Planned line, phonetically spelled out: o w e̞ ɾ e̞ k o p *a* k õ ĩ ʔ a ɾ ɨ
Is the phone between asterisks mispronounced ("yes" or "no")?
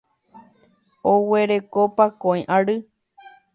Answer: no